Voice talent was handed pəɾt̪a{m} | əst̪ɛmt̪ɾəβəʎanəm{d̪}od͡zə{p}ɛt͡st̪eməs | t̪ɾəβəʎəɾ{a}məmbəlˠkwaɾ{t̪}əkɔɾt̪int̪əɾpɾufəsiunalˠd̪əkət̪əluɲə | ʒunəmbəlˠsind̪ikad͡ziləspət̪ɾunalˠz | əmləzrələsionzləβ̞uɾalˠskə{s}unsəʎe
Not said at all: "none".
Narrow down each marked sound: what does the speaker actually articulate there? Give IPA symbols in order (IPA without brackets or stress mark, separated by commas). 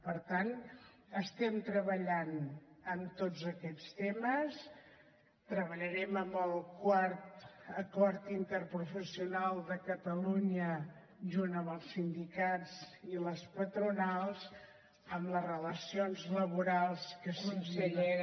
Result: n, t̪, k, ɛ, t̪, s